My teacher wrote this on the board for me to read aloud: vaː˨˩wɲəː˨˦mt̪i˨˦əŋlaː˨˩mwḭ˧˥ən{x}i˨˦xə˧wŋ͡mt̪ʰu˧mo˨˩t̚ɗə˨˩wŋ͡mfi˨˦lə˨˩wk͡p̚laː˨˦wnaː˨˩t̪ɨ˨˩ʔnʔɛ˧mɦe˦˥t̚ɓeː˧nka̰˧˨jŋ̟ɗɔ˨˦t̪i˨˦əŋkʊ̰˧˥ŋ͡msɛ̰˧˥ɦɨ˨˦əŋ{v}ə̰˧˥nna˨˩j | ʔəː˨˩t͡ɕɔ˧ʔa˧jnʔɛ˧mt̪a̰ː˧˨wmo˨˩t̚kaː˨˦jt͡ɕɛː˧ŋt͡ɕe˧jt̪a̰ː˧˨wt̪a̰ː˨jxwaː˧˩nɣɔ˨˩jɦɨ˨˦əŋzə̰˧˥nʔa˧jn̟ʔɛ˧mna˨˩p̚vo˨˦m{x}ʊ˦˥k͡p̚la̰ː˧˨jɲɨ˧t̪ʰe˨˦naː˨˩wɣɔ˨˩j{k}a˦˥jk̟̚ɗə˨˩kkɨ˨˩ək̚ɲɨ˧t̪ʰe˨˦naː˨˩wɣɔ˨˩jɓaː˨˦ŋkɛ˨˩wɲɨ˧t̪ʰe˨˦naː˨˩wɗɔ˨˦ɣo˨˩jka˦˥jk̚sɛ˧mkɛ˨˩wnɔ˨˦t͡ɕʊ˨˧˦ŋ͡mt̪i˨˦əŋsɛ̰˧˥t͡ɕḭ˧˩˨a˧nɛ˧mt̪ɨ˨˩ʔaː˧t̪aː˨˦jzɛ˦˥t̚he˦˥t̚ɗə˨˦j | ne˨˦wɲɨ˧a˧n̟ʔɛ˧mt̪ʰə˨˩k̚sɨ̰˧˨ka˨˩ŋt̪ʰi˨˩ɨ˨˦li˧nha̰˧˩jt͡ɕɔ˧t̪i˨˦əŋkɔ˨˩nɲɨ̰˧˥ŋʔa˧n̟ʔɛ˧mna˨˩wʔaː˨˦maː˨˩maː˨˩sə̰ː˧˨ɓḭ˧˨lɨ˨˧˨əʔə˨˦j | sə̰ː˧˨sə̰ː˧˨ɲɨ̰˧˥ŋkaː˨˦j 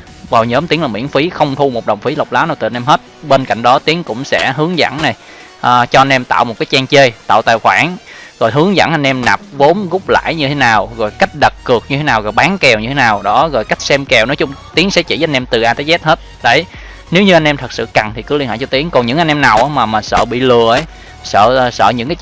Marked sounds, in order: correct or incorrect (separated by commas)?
incorrect, incorrect, incorrect, correct